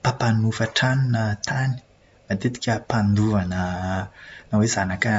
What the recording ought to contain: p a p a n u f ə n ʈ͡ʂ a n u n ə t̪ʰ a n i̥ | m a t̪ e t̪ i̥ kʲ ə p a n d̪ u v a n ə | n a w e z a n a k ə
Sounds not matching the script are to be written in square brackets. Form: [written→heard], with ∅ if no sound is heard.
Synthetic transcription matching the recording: p a p a n u f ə [n→∅] ʈ͡ʂ a n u n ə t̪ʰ a n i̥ | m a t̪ e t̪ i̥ kʲ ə p a n d̪ u v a n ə | n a w e z a n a k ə